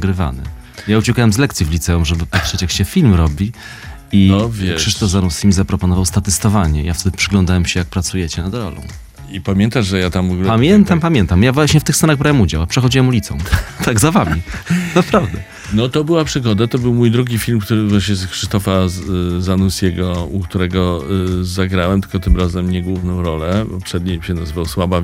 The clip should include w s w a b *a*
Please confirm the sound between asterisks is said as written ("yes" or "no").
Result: yes